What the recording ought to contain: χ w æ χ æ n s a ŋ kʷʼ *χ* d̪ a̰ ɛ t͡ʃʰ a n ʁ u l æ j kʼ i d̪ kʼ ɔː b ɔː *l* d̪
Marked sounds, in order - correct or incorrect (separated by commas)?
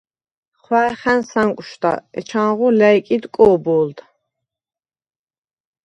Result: incorrect, correct